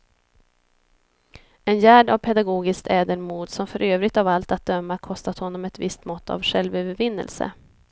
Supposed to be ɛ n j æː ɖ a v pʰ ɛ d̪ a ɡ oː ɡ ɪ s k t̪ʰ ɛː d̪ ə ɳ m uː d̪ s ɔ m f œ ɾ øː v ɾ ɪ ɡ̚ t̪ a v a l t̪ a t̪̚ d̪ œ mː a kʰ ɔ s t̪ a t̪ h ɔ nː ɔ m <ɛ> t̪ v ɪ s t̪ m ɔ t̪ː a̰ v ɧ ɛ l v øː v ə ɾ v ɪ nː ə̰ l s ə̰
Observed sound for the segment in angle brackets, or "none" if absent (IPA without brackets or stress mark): ɛ